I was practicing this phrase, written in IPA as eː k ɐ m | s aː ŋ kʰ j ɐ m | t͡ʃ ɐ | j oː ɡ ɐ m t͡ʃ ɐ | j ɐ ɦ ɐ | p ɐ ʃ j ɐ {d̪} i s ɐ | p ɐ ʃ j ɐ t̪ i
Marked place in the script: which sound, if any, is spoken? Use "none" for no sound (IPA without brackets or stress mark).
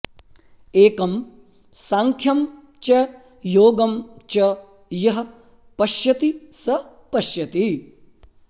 t̪